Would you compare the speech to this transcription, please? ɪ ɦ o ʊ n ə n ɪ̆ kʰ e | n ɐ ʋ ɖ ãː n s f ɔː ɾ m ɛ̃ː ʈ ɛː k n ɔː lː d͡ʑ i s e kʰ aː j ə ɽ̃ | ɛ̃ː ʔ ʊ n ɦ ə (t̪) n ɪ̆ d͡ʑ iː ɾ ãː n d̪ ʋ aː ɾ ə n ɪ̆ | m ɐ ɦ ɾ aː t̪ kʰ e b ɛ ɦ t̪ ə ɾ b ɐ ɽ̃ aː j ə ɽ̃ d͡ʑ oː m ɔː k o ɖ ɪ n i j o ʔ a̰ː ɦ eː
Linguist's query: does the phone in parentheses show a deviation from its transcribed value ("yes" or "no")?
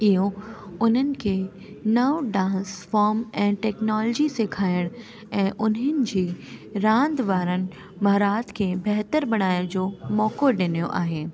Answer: yes